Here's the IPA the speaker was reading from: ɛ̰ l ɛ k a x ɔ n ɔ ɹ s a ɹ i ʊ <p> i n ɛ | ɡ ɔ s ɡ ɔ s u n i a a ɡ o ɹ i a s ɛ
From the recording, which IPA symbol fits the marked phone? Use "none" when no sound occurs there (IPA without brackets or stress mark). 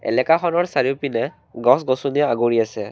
p